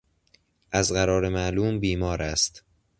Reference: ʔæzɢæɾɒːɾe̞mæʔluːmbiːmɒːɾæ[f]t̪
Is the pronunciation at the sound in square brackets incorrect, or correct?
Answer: incorrect